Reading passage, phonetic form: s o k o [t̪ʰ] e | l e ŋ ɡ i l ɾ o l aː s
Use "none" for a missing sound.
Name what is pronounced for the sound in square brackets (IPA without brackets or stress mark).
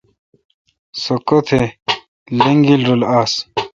t̪ʰ